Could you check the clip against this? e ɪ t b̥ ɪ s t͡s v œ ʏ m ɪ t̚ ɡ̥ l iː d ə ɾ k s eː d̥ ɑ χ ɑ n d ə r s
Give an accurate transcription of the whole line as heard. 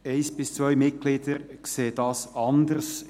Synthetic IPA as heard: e ɪ s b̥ ɪ s t͡s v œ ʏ m ɪ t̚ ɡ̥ l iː d ə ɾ k s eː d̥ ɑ s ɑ n d ə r s